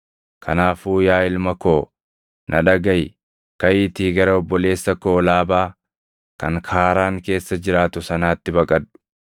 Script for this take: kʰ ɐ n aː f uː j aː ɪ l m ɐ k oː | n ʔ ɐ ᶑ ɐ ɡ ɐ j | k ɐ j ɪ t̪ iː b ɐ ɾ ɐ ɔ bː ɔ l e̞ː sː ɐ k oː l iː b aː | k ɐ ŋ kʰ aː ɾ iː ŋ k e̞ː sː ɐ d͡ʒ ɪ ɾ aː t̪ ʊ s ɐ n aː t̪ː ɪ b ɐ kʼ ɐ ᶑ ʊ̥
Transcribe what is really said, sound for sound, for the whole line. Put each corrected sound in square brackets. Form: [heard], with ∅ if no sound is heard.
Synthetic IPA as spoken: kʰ ɐ n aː f uː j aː ɪ l m ɐ k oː | n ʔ ɐ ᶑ ɐ ɡ ɐ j | k ɐ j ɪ t̪ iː [ɡ] ɐ ɾ ɐ ɔ bː ɔ l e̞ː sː ɐ k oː l [aː] b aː | k ɐ ŋ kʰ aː ɾ [aː] ŋ k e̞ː sː ɐ d͡ʒ ɪ ɾ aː t̪ ʊ s ɐ n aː t̪ː ɪ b ɐ kʼ ɐ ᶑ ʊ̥